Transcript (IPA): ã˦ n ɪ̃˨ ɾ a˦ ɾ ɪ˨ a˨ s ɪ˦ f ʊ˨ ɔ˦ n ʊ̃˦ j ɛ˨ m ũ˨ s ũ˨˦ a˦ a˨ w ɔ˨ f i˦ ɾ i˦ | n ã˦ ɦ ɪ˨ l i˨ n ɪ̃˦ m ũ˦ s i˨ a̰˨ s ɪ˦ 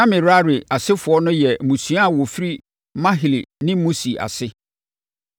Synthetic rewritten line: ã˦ m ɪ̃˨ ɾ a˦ ɾ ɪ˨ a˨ s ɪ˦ f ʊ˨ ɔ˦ n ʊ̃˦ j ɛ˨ m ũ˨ s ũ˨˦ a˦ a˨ w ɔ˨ f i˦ ɾ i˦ | m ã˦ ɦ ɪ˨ l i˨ n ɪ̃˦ m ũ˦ s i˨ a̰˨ s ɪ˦